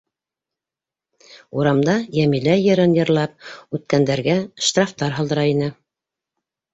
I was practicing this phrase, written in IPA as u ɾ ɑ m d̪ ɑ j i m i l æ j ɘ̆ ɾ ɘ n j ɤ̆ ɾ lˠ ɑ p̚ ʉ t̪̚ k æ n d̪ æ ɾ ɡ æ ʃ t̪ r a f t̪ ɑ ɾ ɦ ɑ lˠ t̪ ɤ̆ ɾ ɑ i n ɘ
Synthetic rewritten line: u ɾ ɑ m d̪ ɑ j æ m i l æ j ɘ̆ ɾ ɘ n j ɤ̆ ɾ lˠ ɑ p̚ ʉ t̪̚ k æ n d̪ æ ɾ ɡ æ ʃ t̪ r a f t̪ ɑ ɾ ɦ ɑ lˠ d̪ ɤ̆ ɾ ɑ i n ɘ